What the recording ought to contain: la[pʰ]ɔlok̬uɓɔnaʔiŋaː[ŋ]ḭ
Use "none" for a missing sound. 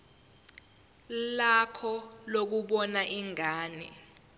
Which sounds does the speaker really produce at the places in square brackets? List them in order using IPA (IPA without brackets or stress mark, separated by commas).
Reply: kʰ, n